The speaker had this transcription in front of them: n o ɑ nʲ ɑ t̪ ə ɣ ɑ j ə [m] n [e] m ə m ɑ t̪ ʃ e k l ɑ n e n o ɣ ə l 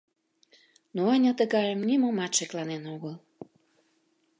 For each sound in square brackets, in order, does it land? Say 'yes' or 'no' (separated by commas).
yes, no